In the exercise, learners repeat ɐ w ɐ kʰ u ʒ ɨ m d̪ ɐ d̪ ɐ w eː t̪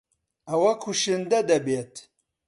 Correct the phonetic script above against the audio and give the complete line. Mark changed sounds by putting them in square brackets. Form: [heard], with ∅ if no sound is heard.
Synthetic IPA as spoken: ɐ w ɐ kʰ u [ʃ] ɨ [n] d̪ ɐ d̪ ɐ [b] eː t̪

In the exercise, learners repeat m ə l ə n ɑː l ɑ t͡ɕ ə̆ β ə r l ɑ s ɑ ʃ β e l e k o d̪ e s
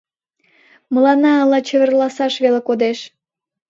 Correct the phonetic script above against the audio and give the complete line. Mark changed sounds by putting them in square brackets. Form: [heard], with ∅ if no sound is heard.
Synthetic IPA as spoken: m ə l [ɑ] n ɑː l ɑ t͡ɕ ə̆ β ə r l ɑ s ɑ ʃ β e l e k o d̪ e [ʃ]

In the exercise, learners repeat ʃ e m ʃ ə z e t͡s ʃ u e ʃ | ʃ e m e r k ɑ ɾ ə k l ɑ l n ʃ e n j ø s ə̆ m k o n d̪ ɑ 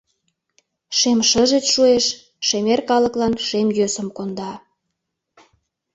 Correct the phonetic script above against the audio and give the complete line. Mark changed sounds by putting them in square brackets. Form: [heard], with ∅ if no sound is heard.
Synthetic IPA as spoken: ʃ e m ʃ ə [ʒ] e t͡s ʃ u e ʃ | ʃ e m e r k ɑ [l] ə k l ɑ [∅] n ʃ e [m] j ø s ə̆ m k o n d̪ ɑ

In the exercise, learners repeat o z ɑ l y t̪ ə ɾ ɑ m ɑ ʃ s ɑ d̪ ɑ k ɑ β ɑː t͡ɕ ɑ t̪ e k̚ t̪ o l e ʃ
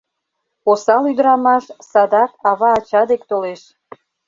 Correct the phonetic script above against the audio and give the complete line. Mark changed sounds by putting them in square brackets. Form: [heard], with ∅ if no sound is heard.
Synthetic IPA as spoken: o [s] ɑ l y [d̪] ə ɾ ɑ m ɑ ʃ s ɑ d̪ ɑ k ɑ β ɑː t͡ɕ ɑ [d̪] e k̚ t̪ o l e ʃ

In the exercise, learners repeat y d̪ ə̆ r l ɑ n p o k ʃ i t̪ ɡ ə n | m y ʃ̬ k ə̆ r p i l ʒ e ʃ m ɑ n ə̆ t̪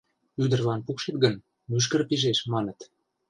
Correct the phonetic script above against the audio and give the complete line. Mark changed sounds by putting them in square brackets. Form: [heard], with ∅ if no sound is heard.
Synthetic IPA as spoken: y d̪ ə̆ r l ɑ n p [u] k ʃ [e] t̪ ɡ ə n | m y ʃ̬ k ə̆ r p i [∅] ʒ e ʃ m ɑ n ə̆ t̪

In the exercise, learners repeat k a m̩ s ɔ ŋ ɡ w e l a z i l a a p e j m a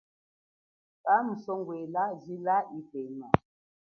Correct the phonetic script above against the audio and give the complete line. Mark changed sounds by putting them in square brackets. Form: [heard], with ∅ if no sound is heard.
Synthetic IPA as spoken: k a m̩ s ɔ ŋ ɡ w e l a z i l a [i] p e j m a

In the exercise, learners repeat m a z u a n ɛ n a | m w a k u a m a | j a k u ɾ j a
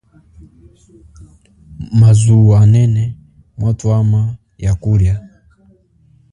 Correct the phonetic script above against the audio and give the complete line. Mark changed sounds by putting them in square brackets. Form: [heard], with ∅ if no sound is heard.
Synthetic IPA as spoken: m a z u a n ɛ n [ɛ] | m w a [t] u a m a | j a k u ɾ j a

